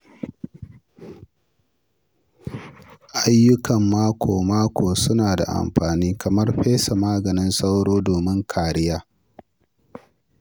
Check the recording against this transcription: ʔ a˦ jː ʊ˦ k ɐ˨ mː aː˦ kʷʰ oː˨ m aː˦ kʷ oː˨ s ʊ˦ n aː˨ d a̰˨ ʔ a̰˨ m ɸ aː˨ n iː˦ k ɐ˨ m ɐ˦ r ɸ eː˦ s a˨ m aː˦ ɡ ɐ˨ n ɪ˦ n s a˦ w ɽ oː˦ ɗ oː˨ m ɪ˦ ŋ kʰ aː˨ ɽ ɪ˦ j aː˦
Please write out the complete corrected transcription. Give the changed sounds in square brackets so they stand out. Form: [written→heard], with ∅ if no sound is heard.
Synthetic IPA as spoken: ʔ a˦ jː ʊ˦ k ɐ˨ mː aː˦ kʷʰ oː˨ m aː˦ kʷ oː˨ s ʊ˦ n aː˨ d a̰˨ ʔ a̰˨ m ɸ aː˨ n iː˦ k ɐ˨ m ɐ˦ r ɸ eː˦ s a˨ m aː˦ ɡ ɐ˨ n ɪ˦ n s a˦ w ɽ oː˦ [ɗ→d] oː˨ m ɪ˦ ŋ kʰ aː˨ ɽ ɪ˦ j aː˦